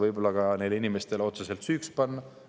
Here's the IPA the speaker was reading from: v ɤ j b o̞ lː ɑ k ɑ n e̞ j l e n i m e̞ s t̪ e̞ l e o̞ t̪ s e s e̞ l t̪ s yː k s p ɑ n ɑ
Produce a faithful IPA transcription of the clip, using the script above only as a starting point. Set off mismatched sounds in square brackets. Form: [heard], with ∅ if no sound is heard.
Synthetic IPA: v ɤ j b o̞ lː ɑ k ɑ n e̞ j l [i] n i m e̞ s t̪ e̞ l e o̞ t̪ s e s e̞ l t̪ s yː k s p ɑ [nː] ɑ